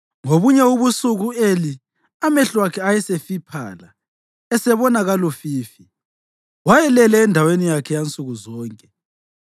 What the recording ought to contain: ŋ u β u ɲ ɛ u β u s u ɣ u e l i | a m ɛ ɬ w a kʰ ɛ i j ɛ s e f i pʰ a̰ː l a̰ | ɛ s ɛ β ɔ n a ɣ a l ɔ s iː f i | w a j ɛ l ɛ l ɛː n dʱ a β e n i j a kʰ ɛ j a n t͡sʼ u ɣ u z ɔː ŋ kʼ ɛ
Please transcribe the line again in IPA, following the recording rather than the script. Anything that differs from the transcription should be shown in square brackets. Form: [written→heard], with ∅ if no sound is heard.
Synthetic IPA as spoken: ŋ [u→o] β u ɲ ɛ u β u s u ɣ u e l i | a m ɛ ɬ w a kʰ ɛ [i→a] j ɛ s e f i pʰ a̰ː l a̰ | ɛ s ɛ β ɔ n a ɣ a l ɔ [s→f] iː f i | w a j ɛ l ɛ l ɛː n dʱ a [β→w] e n i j a kʰ ɛ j a n t͡sʼ u ɣ u z ɔː ŋ kʼ ɛ

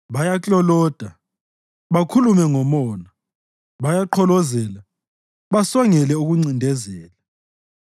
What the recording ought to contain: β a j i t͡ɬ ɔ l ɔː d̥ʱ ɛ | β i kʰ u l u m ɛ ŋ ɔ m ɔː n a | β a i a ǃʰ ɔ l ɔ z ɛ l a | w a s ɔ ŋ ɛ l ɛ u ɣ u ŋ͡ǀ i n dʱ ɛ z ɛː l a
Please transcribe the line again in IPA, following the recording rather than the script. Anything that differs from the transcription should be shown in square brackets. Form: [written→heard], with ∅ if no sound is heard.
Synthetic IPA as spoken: β a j [i→a] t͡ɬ ɔ l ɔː d̥ʱ [ɛ→a] | β [i→a] kʰ u l u m ɛ ŋ ɔ m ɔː n a | β a [i→j] a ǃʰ ɔ l ɔ z ɛ l a | [w→β] a s ɔ ŋ ɛ l ɛ u ɣ u ŋ͡ǀ i n dʱ ɛ z ɛː l a

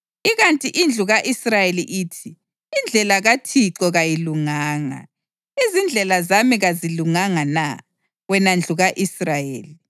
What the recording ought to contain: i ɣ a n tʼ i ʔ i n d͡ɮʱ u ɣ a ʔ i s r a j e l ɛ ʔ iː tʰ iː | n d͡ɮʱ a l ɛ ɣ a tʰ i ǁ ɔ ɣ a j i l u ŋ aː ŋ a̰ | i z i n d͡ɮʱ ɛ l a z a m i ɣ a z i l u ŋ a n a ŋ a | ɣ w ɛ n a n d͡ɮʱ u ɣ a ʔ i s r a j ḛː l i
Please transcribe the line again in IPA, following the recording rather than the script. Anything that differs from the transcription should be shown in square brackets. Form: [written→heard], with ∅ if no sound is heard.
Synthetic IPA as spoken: i ɣ a n tʼ i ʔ i n d͡ɮʱ u ɣ a ʔ i s r a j e l [ɛ→i] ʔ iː tʰ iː | n d͡ɮʱ [a→ɛ] l [ɛ→a] ɣ a tʰ i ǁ ɔ ɣ a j i l u ŋ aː ŋ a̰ | i z i n d͡ɮʱ ɛ l a z a m i ɣ a z i l u ŋ a [n→ŋ] a [ŋ→n] a | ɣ w ɛ n a n d͡ɮʱ u ɣ a ʔ i s r a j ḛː l i

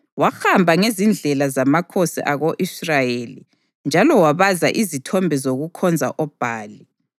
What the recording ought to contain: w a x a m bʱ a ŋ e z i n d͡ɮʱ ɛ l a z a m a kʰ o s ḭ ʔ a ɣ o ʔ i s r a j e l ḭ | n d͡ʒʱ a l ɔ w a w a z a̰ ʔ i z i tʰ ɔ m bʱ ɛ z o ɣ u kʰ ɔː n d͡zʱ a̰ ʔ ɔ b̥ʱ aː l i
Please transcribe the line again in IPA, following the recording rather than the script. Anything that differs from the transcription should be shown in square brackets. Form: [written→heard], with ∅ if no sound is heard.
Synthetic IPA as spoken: w a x a m bʱ a ŋ e z i n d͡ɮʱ ɛ l a z a m a kʰ o s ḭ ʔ a ɣ o ʔ i s r a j e l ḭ | n d͡ʒʱ a l ɔ w a [w→β] a z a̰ ʔ i z i tʰ ɔ m bʱ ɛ z o ɣ u kʰ [ɔː→ɔ] n d͡zʱ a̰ ʔ ɔ b̥ʱ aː l i

